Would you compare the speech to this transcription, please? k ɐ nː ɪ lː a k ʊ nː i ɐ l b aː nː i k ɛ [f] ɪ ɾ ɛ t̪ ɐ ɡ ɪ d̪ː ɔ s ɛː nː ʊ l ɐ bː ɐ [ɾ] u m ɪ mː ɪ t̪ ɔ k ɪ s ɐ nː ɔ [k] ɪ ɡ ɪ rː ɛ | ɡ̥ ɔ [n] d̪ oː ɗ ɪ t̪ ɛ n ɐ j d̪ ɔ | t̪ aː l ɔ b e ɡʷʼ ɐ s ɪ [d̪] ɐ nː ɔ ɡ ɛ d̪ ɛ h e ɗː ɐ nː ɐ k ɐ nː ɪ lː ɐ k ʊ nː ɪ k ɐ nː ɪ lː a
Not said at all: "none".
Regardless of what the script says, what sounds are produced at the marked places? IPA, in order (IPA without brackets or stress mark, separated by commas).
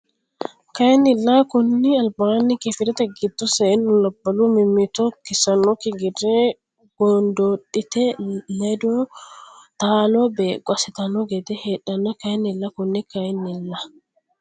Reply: f, l, k, n, t̪